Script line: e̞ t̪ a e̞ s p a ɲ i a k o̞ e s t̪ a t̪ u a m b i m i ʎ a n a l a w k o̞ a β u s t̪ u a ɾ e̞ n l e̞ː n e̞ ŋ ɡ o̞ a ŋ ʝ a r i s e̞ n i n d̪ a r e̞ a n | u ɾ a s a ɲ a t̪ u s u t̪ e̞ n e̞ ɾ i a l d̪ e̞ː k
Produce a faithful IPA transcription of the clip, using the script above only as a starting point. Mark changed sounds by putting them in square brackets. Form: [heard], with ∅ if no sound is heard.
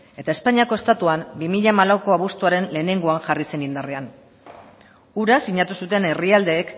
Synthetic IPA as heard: e̞ t̪ a e̞ s p a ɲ i a k o̞ e s t̪ a t̪ u a m b i m i ʎ a [m] a l a w k o̞ a β u s t̪ u a ɾ e̞ n l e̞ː n e̞ ŋ ɡ o̞ a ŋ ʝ a r i s e̞ n i n d̪ a r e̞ a n | u ɾ a s [i] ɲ a t̪ u s u t̪ e̞ n e̞ [r] i a l d̪ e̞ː k

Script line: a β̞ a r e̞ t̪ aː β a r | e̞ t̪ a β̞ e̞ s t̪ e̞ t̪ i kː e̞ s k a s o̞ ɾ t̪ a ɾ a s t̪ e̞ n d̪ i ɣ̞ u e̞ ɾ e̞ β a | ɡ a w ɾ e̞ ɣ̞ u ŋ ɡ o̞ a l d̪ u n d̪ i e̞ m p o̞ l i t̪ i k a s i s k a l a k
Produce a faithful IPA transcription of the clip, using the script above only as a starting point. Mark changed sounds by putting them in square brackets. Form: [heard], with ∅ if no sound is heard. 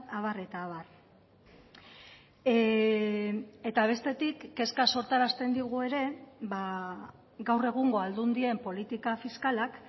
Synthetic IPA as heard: a β̞ a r e̞ t̪ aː β a r | e̞ t̪ a β̞ e̞ s t̪ e̞ t̪ i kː e̞ s k a s o̞ ɾ t̪ a ɾ a s t̪ e̞ n d̪ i ɣ̞ u e̞ ɾ e̞ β a | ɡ a w [r] e̞ ɣ̞ u ŋ ɡ o̞ a l d̪ u n d̪ i e̞ m p o̞ l i t̪ i k a [f] i s k a l a k

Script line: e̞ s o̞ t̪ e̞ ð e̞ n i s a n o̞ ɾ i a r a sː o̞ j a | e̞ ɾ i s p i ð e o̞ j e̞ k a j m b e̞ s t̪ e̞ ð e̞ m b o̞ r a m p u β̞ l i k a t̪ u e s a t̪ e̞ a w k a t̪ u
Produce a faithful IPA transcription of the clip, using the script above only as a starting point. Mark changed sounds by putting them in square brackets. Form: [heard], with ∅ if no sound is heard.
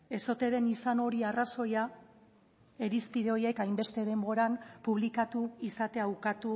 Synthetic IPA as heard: e̞ s o̞ t̪ e̞ ð e̞ n i s a n o̞ ɾ i a r a [s] o̞ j a | e̞ ɾ i s p i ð e o̞ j e̞ k a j m b e̞ s t̪ e̞ ð e̞ m b o̞ [ɾ] a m p u β̞ l i k a t̪ u [i] s a t̪ e̞ a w k a t̪ u

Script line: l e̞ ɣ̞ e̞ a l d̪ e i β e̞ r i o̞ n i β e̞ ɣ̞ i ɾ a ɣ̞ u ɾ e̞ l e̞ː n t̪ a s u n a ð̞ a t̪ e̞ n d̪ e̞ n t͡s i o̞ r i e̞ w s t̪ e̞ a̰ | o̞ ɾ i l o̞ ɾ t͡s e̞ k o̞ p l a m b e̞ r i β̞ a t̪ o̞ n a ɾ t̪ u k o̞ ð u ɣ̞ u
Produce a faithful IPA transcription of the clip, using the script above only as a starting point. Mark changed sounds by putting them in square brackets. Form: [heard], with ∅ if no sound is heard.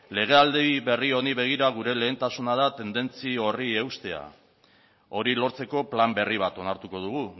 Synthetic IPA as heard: l e̞ ɣ̞ e̞ a l d̪ e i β e̞ r i o̞ n i β e̞ ɣ̞ i ɾ a ɣ̞ u ɾ e̞ l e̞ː n t̪ a s u n a ð̞ a t̪ e̞ n d̪ e̞ n t͡s i o̞ r i e̞ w s t̪ e̞ a̰ | o̞ ɾ i l o̞ ɾ t͡s e̞ k o̞ p l a m b e̞ r i β̞ a t̪ o̞ n a ɾ t̪ u k o̞ ð u ɣ̞ u

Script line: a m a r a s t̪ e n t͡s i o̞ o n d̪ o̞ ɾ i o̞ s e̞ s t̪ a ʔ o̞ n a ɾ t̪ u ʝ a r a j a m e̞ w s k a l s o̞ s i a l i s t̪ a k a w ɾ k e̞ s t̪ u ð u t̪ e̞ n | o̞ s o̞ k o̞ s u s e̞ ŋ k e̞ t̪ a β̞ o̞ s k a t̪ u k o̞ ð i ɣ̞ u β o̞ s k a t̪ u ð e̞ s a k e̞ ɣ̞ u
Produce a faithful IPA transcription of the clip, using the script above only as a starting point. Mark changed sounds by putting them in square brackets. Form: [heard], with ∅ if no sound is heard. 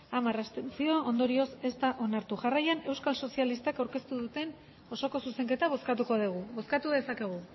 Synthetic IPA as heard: a m a r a s t̪ e n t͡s i o̞ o n d̪ o̞ ɾ i o̞ s e̞ s t̪ a ʔ o̞ n a ɾ t̪ u ʝ a r a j a [n] e̞ w s k a l s o̞ s i a l i s t̪ a k a w ɾ k e̞ s t̪ u ð u t̪ e̞ n | o̞ s o̞ k o̞ s u s e̞ ŋ k e̞ t̪ a β̞ o̞ s k a t̪ u k o̞ ð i ɣ̞ u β o̞ s k a t̪ u ð e̞ s a k e̞ ɣ̞ u

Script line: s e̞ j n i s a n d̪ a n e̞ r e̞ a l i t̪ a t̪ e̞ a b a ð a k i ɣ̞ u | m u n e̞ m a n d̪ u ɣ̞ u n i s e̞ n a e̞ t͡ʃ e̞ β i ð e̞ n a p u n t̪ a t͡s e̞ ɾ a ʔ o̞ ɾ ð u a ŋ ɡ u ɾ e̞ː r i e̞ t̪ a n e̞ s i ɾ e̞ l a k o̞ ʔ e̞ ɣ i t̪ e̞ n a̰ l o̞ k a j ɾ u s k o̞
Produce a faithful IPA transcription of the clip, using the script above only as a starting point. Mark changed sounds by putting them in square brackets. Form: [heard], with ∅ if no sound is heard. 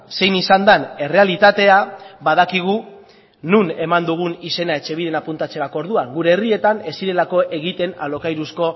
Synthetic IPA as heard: s e̞ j n i s a n d̪ a n e̞ r e̞ a l i t̪ a t̪ e̞ a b a ð a k i ɣ̞ u | [n] u n e̞ m a n d̪ u ɣ̞ u n i s e̞ n a e̞ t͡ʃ e̞ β i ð e̞ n a p u n t̪ a t͡s e̞ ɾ a [k] o̞ ɾ ð u a ŋ ɡ u ɾ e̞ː r i e̞ t̪ a n e̞ s i ɾ e̞ l a k o̞ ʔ e̞ ɣ i t̪ e̞ n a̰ l o̞ k a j ɾ u s k o̞

